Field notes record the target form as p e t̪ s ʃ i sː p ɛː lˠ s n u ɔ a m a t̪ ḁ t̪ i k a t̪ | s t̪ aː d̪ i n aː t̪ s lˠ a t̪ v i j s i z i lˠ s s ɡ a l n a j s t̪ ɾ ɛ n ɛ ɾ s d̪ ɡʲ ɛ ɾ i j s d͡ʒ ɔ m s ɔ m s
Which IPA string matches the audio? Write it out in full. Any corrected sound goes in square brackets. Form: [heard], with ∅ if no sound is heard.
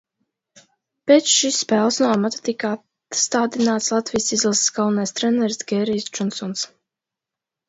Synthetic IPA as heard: p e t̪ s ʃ i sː p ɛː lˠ s n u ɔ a m a t̪ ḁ t̪ i k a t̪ | s t̪ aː d̪ i n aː t̪ s lˠ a t̪ v i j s i z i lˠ s s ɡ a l n a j s t̪ ɾ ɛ n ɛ ɾ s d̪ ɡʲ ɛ ɾ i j s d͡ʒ ɔ [n] s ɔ [n] s